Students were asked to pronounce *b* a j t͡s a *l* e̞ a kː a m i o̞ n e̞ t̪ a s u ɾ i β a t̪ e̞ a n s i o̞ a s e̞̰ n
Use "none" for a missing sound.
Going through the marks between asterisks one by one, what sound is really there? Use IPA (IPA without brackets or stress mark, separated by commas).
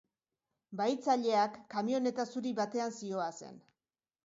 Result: b, ʎ